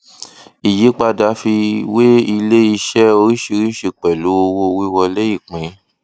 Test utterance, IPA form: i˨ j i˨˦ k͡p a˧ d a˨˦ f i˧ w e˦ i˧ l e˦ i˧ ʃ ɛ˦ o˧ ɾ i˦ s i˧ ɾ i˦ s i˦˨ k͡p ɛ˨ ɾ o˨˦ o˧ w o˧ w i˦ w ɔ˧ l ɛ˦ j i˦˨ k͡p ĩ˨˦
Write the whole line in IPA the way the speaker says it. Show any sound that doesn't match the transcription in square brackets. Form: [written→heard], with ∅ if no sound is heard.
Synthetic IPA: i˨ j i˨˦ k͡p a˧ d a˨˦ f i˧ w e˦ i˧ l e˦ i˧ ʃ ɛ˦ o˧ ɾ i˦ [s→ʃ] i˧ ɾ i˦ [s→ʃ] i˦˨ k͡p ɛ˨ [ɾ→l] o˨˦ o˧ w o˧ w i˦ w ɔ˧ l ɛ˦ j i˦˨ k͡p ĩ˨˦